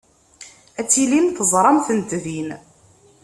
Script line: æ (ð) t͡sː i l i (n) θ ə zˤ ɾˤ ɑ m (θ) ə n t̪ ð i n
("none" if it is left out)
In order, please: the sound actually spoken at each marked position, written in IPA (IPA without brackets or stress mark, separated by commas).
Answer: none, n, θ